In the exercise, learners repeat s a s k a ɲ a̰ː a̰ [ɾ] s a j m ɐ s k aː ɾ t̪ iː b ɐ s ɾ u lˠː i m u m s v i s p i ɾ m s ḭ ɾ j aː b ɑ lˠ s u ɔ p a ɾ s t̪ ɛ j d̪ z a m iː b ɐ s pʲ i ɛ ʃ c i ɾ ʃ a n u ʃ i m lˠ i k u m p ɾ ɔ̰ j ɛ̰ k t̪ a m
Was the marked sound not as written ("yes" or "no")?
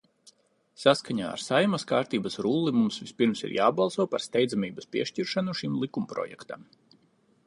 no